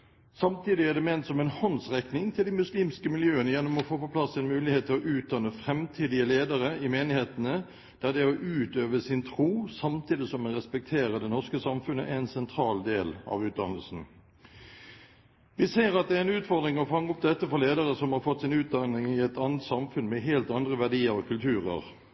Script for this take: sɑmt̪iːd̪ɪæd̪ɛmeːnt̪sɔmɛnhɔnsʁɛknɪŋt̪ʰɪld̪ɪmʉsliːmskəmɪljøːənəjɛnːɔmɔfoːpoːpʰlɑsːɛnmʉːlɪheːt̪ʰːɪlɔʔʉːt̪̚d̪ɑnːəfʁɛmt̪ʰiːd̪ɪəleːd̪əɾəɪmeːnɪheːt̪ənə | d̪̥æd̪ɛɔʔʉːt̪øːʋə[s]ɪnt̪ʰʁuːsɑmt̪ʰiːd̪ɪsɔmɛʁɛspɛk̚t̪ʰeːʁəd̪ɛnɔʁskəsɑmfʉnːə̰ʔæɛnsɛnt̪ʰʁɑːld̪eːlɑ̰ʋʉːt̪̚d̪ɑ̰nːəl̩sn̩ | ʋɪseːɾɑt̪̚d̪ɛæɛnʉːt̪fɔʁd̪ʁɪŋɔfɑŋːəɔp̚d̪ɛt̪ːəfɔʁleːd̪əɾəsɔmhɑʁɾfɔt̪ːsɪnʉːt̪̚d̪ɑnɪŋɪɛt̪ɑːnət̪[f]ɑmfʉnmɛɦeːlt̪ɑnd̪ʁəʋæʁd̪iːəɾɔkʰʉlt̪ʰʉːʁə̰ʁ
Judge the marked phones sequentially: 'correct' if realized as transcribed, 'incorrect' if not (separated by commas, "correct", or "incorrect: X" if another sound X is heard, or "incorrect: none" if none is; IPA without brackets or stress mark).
correct, incorrect: s